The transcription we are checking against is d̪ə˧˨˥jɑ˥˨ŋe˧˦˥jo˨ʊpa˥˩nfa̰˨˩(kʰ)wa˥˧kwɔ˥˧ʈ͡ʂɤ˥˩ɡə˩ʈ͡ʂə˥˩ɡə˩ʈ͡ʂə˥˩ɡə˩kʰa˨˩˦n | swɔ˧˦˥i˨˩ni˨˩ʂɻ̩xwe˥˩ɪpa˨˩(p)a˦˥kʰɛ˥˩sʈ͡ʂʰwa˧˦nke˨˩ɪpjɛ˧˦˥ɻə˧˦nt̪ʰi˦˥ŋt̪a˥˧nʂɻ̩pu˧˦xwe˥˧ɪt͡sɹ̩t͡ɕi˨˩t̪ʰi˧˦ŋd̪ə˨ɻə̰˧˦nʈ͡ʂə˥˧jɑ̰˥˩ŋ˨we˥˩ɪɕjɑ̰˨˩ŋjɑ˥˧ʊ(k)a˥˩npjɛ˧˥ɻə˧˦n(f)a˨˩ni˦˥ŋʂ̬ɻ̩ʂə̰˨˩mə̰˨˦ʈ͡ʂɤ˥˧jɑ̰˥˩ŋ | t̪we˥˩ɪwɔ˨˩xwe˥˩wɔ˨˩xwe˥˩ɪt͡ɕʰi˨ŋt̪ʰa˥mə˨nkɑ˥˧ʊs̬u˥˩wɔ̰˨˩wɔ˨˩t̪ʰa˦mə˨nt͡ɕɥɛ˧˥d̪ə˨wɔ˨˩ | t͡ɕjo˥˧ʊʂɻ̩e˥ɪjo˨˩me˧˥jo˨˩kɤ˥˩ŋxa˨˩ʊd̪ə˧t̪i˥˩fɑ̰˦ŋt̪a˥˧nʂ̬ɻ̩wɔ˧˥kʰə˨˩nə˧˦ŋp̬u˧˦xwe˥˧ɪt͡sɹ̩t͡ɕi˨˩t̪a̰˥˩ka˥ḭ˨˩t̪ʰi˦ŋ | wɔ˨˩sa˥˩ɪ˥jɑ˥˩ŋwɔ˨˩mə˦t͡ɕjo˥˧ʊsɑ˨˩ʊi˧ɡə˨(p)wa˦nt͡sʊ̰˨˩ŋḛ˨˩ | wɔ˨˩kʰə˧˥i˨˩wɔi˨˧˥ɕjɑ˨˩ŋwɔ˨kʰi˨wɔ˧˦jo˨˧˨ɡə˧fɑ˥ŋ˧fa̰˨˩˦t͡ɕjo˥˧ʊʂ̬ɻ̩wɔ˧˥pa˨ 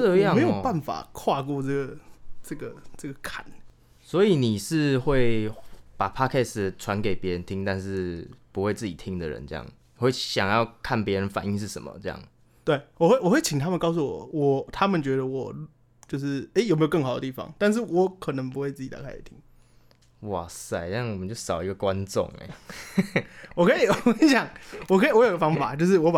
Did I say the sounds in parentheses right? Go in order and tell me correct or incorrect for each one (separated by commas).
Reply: correct, incorrect, incorrect, correct, incorrect